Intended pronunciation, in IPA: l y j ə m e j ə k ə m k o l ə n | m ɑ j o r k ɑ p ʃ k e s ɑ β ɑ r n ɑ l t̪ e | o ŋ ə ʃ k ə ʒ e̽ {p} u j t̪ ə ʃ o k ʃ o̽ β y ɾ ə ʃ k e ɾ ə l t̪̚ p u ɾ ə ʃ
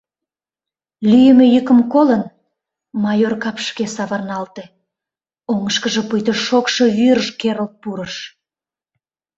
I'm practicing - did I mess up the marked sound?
no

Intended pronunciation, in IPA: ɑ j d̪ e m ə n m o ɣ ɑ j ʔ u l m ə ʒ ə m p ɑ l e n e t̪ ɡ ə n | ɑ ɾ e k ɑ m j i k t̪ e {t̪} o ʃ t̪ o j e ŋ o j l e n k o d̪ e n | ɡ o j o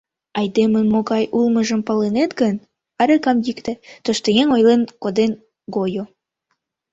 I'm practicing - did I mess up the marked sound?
no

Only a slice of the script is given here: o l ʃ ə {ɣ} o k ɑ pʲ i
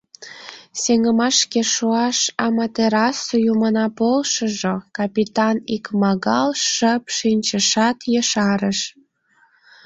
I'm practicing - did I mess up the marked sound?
yes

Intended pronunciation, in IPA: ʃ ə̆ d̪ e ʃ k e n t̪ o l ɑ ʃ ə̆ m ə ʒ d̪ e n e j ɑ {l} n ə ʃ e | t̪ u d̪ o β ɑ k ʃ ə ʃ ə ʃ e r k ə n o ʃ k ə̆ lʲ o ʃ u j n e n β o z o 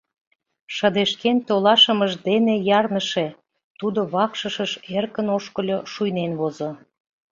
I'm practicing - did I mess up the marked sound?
yes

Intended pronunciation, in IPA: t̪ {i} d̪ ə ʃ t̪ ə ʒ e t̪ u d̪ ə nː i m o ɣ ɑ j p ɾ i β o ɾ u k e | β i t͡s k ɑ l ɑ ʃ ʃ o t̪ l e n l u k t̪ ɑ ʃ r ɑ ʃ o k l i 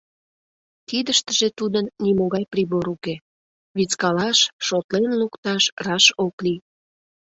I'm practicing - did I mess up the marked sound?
no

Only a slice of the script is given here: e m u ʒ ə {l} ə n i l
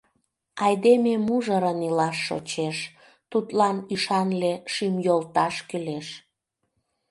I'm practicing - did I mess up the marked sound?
yes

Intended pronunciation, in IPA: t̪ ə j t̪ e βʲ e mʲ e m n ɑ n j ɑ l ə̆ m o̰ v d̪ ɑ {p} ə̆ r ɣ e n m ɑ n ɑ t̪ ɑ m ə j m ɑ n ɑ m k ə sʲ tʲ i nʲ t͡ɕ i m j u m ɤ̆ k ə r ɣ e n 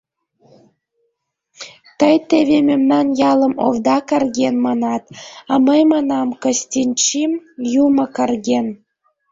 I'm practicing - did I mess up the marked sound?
yes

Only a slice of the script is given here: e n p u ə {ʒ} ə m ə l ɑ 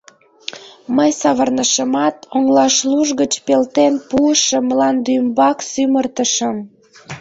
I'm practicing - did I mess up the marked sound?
yes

